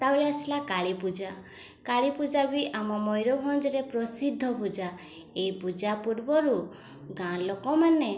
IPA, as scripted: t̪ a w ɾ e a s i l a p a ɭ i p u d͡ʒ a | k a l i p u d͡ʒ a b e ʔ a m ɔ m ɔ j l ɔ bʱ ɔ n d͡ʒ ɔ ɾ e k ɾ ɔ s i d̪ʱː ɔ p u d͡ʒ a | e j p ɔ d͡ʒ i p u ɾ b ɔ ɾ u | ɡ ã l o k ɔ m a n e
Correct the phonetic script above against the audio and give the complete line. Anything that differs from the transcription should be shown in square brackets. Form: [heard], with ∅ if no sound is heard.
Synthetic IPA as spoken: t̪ a w ɾ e a s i l a [k] a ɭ i p u d͡ʒ a | k a [ɭ] i p u d͡ʒ a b [i] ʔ a m ɔ m ɔ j [ɾ] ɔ bʱ ɔ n d͡ʒ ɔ ɾ e [p] ɾ ɔ s i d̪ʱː ɔ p u d͡ʒ a | e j p [u] d͡ʒ [a] p u ɾ b ɔ ɾ u | ɡ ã l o k ɔ m a n e